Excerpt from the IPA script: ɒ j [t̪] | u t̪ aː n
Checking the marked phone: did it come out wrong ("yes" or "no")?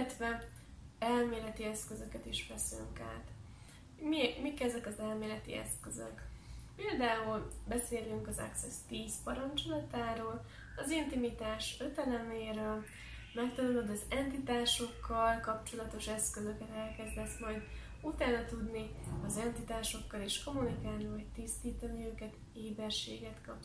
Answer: yes